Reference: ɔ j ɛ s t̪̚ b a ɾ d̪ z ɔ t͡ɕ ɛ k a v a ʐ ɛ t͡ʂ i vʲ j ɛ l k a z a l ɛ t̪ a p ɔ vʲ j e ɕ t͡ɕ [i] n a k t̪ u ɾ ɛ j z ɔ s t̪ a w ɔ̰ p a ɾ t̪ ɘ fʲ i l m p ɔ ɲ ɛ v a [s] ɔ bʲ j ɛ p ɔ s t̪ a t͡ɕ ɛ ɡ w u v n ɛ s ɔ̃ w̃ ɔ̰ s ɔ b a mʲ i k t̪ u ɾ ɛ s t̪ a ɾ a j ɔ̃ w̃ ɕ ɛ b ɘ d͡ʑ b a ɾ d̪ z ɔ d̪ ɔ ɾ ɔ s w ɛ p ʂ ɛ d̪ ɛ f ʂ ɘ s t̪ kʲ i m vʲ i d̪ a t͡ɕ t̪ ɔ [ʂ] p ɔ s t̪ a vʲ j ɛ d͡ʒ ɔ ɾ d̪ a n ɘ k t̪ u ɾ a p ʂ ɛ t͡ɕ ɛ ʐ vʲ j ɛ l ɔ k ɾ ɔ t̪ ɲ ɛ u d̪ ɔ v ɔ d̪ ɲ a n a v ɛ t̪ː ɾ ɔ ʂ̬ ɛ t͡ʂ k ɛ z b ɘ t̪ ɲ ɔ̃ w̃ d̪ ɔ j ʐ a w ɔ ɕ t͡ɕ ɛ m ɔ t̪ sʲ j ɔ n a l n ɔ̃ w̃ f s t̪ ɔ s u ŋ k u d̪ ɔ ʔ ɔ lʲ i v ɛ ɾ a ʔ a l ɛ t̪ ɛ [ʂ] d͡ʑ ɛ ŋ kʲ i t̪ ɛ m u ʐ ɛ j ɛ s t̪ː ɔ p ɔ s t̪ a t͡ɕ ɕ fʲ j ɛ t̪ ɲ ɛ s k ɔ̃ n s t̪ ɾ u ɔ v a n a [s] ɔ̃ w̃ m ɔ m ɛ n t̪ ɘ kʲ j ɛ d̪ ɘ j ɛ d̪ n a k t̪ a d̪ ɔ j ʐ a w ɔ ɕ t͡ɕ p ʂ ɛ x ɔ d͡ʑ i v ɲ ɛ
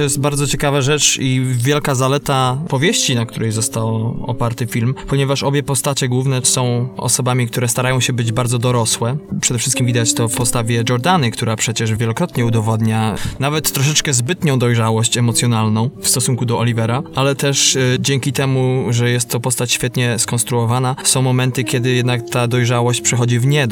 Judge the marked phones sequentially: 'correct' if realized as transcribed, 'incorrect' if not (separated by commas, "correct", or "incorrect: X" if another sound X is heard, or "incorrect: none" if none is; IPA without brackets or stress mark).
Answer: correct, incorrect: ʂ, incorrect: f, correct, correct